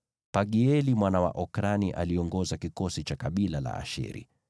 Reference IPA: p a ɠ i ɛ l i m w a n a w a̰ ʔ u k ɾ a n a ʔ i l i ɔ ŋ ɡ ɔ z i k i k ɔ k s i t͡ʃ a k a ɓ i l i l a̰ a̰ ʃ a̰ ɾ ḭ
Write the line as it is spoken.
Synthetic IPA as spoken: p a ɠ i ɛ l i m w a n a w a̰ ʔ ɔ k ɾ a n i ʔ a l i ɔ ŋ ɡ ɔ z a k i k ɔ s i t͡ʃ a k a ɓ i l a l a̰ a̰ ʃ ɛ̰ ɾ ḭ